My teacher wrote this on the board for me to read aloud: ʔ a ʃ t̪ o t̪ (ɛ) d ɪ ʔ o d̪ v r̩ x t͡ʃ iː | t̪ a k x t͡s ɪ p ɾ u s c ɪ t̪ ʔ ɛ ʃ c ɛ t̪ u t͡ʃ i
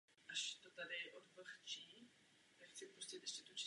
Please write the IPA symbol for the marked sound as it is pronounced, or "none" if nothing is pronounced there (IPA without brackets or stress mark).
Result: a